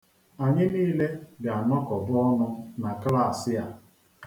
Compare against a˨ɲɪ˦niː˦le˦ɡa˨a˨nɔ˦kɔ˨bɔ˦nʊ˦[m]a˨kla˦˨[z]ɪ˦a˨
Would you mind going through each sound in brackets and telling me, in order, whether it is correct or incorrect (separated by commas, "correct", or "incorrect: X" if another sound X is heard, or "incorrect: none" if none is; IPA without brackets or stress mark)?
incorrect: n, incorrect: s